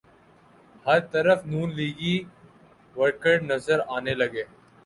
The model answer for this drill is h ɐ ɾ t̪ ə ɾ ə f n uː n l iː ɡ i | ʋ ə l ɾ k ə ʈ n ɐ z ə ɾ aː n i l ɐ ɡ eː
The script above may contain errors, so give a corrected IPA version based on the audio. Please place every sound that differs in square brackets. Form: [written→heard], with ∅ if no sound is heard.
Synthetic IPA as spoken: h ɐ ɾ t̪ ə ɾ ə f n uː n l iː ɡ i | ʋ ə [l→∅] ɾ k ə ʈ n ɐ z ə ɾ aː n [i→e] l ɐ ɡ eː